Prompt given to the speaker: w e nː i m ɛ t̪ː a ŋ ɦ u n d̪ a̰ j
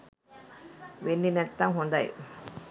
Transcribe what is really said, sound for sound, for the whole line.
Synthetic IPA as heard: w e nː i n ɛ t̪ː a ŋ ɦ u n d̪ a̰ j

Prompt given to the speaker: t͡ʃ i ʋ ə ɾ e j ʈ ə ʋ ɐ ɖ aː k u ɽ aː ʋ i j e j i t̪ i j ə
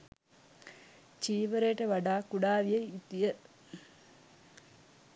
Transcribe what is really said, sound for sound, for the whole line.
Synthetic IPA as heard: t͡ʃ iː ʋ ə ɾ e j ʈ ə ʋ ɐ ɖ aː k u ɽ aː ʋ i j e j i t̪ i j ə

